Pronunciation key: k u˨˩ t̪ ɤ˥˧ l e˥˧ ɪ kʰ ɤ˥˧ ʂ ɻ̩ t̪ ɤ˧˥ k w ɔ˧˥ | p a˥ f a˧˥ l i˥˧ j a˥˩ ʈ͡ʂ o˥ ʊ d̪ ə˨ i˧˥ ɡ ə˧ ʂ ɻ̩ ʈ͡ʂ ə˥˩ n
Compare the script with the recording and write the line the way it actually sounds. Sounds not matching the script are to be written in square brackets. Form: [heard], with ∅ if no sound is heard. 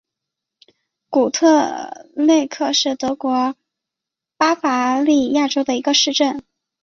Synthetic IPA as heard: k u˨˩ [t̪ʰ] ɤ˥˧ l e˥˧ ɪ kʰ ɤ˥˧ ʂ ɻ̩ t̪ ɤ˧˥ k w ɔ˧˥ | p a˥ f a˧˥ l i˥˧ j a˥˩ ʈ͡ʂ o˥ ʊ d̪ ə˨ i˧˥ ɡ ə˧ ʂ ɻ̩ ʈ͡ʂ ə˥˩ n